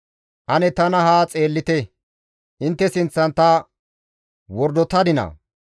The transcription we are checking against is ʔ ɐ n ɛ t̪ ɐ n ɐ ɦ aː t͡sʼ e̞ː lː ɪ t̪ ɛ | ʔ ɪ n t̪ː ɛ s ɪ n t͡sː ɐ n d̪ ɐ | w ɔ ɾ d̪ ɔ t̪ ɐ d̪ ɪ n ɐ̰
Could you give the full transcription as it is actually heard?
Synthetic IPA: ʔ ɐ n ɛ t̪ ɐ n ɐ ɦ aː t͡sʼ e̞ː lː ɪ t̪ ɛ | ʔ ɪ n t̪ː ɛ s ɪ n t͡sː ɐ n t̪ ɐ | w ɔ ɾ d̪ ɔ t̪ ɐ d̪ ɪ n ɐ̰